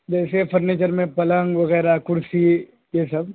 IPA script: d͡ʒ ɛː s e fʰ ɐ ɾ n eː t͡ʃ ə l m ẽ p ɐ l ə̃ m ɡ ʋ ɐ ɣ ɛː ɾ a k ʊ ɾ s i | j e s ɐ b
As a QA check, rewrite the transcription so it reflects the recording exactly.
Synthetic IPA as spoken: d͡ʒ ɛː s e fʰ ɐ ɾ n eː t͡ʃ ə ɾ m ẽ p ɐ l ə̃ ŋ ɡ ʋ ɐ ɣ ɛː ɾ a k ʊ ɾ s i | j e s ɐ b